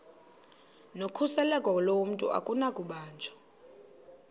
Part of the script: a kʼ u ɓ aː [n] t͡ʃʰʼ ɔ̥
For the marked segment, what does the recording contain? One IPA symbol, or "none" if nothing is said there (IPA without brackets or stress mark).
n